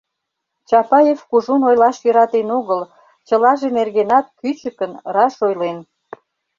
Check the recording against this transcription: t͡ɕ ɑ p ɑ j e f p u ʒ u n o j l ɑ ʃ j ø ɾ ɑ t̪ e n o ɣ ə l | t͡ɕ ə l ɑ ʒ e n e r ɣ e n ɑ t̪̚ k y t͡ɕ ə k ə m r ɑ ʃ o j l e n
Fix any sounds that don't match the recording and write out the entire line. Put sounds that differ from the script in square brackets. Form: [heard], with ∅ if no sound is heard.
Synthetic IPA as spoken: t͡ɕ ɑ p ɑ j e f [k] u ʒ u n o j l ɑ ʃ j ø ɾ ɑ t̪ e n o ɣ ə l | t͡ɕ ə l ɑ ʒ e n e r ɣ e n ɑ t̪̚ k y t͡ɕ ə k ə [n] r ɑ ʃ o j l e n